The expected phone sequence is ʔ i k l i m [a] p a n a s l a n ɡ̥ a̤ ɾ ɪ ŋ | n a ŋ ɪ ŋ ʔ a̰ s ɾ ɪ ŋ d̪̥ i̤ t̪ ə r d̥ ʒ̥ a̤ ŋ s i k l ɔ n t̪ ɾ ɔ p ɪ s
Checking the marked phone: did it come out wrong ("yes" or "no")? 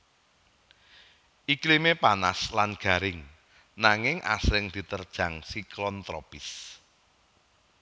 yes